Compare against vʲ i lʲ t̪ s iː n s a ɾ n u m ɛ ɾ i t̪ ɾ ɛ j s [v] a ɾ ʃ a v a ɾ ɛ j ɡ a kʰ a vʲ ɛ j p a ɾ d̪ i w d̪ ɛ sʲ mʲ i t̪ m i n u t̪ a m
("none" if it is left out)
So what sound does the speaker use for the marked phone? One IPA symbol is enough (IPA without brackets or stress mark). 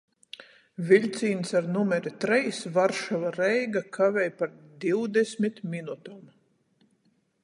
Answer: v